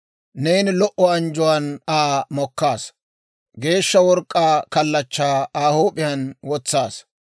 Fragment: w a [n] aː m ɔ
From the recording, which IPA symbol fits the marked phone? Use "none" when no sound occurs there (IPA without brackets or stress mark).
n